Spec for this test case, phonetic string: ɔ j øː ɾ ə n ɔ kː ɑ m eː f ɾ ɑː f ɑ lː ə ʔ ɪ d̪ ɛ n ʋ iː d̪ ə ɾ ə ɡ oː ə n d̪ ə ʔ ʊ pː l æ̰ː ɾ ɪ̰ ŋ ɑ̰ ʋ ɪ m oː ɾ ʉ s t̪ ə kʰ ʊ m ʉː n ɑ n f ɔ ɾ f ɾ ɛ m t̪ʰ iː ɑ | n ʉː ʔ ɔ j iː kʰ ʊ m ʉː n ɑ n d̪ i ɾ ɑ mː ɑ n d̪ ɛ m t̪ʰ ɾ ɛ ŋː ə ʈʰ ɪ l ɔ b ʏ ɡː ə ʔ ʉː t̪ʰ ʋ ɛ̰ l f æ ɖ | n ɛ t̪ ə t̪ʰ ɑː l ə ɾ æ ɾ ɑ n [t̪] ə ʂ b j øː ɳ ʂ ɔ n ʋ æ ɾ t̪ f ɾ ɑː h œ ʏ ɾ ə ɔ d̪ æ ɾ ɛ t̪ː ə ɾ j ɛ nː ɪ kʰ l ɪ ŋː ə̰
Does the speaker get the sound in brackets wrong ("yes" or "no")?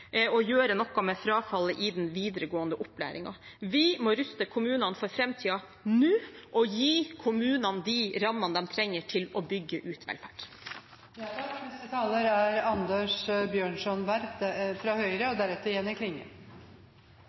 yes